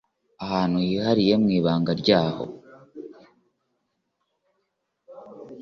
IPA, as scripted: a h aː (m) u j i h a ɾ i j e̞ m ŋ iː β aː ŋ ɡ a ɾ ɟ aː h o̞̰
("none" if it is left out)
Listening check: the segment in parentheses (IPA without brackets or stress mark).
n